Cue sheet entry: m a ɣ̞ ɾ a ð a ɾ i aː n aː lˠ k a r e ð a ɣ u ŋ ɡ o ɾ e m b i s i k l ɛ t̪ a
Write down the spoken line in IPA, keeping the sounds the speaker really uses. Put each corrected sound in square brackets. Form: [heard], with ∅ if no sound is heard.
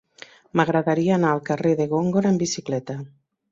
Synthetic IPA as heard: m a ɣ̞ ɾ a ð a ɾ i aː n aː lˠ k a r e ð [e] ɣ [o] ŋ ɡ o ɾ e m b i s i k l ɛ t̪ a